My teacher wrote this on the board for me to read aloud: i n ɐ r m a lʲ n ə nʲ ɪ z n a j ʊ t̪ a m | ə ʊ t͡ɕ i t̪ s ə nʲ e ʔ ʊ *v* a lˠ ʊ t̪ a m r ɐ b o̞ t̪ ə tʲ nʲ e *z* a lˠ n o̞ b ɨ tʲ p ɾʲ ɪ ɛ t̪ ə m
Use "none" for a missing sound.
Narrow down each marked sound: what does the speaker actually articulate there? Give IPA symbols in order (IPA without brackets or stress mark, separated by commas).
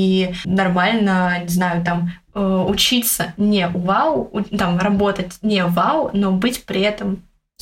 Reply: v, v